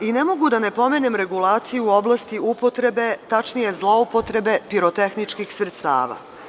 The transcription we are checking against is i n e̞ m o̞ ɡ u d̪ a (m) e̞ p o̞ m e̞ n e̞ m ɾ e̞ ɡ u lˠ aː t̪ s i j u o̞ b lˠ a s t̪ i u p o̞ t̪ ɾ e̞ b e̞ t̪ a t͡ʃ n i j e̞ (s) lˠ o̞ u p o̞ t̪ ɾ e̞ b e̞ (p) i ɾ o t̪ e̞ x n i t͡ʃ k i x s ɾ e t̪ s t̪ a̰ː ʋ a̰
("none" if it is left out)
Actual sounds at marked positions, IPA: n, z, p

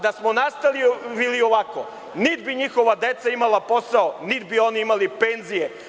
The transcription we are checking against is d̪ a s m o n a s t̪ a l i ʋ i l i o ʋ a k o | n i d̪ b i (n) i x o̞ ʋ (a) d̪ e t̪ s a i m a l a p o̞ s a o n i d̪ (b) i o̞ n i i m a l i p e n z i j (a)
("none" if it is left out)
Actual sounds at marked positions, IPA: ɲ, a, b, e

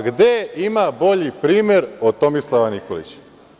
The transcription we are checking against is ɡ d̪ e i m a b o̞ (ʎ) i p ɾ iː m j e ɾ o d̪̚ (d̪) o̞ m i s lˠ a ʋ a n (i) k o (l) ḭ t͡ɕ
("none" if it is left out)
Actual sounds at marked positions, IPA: ʎ, t̪, i, l

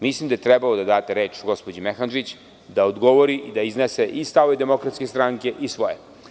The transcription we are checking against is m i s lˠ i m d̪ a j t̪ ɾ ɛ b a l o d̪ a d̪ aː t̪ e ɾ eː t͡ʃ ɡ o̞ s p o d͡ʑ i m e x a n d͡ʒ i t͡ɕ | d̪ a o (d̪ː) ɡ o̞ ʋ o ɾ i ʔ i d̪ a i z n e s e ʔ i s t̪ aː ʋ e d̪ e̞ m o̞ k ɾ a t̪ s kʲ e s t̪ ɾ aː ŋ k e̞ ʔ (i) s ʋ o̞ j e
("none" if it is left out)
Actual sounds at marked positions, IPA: d̪, i

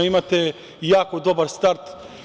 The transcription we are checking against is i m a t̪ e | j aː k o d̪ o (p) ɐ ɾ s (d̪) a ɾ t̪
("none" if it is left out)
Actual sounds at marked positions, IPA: b, t̪

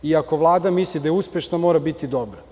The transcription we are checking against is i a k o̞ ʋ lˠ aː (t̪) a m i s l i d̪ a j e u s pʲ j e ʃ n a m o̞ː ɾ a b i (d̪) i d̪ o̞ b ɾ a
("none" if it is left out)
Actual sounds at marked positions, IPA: d̪, t̪

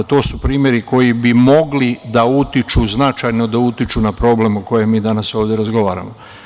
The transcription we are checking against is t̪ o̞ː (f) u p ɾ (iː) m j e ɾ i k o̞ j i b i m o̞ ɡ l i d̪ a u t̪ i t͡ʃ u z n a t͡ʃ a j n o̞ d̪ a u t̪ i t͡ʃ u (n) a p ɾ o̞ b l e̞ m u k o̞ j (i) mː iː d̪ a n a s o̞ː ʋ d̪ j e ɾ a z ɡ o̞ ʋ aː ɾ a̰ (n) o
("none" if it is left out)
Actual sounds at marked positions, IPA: s, iː, n, e, m

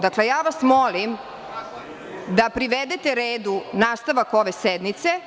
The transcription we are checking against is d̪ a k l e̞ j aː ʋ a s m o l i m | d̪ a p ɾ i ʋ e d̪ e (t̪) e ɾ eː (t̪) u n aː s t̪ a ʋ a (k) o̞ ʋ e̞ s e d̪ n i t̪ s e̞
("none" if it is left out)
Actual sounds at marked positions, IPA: t̪, d̪, k

